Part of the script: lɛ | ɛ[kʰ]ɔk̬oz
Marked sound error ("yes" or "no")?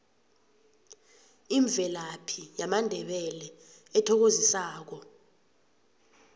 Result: yes